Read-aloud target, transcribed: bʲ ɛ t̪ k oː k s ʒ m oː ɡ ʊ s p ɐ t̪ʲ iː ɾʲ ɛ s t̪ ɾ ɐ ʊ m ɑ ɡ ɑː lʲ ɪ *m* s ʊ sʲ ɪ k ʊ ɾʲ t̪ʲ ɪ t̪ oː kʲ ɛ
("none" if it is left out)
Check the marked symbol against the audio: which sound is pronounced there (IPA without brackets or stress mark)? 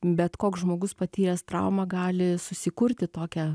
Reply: none